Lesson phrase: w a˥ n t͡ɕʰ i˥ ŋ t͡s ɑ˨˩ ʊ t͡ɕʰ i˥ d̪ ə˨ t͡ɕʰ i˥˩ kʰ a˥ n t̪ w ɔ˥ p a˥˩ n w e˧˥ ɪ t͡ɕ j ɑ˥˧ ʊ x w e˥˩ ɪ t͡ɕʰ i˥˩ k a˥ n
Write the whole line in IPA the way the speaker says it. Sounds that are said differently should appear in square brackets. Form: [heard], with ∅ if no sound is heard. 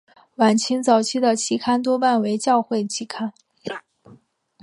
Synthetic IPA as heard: w [a˨˩] n t͡ɕʰ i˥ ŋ t͡s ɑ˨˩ ʊ t͡ɕʰ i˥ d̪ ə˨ t͡ɕʰ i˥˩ kʰ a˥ n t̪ w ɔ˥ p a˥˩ n w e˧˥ ɪ t͡ɕ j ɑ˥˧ ʊ x w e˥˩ ɪ t͡ɕʰ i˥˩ [kʰ] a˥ n